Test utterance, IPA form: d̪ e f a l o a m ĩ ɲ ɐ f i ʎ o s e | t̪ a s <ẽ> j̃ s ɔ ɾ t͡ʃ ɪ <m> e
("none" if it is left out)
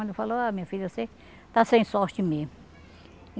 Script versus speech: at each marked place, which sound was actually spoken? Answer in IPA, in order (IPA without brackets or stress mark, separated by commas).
ẽ, m